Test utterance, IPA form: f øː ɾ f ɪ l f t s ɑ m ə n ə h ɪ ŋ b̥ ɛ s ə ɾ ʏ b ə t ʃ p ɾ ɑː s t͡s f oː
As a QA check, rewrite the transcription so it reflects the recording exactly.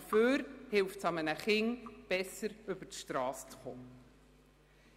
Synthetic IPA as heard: f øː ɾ h ɪ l f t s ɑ m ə n ə χ ɪ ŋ b̥ ɛ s ə ɾ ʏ b ə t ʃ t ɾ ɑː s t͡s χ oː